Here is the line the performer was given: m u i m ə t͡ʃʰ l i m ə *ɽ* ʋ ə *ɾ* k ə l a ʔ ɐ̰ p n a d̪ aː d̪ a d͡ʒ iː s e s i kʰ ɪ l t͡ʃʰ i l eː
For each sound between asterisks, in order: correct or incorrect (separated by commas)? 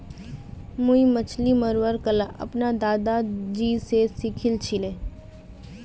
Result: incorrect, correct